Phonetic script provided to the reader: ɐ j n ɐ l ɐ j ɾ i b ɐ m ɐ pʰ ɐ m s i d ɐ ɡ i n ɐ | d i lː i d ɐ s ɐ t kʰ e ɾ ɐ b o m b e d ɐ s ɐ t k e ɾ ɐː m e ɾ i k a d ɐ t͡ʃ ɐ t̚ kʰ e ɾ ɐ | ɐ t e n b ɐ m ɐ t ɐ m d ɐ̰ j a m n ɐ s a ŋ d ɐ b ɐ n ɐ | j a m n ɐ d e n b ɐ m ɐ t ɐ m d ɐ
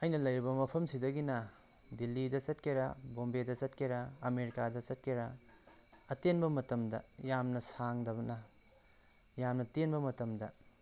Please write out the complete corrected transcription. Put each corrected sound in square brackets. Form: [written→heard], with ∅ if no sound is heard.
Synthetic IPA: ɐ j n ɐ l ɐ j ɾ i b ɐ m ɐ pʰ ɐ m s i d ɐ ɡ i n ɐ | d i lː i d ɐ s ɐ t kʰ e ɾ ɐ b o m b e d ɐ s ɐ t k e ɾ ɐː m e ɾ i k a d ɐ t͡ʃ ɐ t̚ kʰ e ɾ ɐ | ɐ t e n b ɐ m ɐ t ɐ m d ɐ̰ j a m n ɐ s a ŋ d ɐ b ɐ n ɐ | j a m n ɐ [d→t] e n b ɐ m ɐ t ɐ m d ɐ